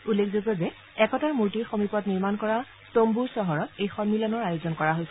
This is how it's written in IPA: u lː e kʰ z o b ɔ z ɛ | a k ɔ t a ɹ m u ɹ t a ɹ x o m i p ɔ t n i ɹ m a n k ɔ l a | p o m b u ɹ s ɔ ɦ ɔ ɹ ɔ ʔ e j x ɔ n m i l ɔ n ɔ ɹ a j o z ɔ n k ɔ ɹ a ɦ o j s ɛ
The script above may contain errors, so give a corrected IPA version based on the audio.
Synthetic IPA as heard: u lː e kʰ z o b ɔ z ɛ | ɛ k ɔ t a ɹ m u ɹ t i ɹ x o m i p ɔ t n i ɹ m a n k ɔ ɹ a | t o m b u ɹ s ɔ ɦ ɔ ɹ ɔ t e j x ɔ n m i l ɔ n ɔ ɹ a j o z ɔ n k ɔ ɹ a ɦ o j s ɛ